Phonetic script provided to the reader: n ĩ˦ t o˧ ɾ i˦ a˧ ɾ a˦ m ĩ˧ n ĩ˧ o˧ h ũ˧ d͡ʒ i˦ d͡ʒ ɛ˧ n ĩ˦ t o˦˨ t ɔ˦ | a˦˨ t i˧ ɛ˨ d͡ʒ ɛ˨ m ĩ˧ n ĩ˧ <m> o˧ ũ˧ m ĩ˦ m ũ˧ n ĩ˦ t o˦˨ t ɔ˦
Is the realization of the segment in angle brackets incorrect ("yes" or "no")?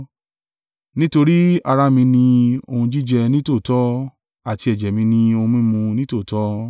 yes